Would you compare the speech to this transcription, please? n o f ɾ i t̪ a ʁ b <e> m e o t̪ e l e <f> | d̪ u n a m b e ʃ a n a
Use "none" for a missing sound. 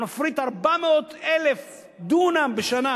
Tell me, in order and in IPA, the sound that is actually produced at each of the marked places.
a, f

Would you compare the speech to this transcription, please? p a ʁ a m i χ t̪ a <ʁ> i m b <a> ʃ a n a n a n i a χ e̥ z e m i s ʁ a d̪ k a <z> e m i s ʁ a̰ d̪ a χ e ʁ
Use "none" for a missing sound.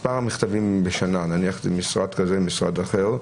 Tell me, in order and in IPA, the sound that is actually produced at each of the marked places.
v, e, z

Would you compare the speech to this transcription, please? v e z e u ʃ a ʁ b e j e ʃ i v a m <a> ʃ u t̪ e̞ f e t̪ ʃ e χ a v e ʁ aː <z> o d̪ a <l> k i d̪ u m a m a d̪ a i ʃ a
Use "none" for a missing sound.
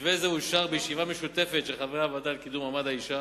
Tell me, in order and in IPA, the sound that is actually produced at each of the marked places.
e, v, l

